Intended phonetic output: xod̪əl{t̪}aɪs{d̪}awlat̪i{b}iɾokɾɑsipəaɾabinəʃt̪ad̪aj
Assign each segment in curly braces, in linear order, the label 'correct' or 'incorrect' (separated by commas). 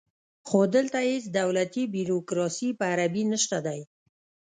correct, correct, correct